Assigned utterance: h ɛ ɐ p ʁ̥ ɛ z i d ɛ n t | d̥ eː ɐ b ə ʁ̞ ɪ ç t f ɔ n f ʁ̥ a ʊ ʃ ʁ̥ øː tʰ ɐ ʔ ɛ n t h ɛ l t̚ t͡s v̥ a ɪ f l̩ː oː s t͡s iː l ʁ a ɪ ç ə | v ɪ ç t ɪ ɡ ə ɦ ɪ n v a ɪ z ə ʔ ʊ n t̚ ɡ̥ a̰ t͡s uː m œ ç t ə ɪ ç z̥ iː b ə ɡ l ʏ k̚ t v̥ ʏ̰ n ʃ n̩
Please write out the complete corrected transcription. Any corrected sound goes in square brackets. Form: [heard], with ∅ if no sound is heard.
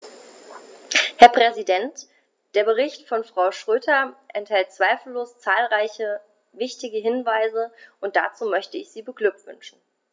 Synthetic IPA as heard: h ɛ ɐ p ʁ̥ ɛ z i d ɛ n t | d̥ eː ɐ b ə ʁ̞ ɪ ç t f ɔ n f ʁ̥ a ʊ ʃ ʁ̥ øː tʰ ɐ ʔ ɛ n t h ɛ l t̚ t͡s v̥ a ɪ f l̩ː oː s t͡s [aː] l ʁ a ɪ ç ə | v ɪ ç t ɪ ɡ ə ɦ ɪ n v a ɪ z ə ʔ ʊ n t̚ [d̥] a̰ t͡s uː m œ ç t ə ɪ ç z̥ iː b ə ɡ l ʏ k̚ t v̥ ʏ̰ n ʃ n̩